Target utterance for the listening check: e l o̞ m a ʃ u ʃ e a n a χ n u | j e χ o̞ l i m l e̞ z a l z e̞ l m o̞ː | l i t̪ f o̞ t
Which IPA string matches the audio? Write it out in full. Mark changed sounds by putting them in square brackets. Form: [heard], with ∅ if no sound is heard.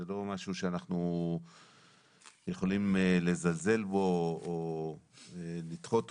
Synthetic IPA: e l o̞ m a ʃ u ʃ e a n a χ n u | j e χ o̞ l i m l e̞ z a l z e̞ l [b] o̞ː | l i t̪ [χ] o̞ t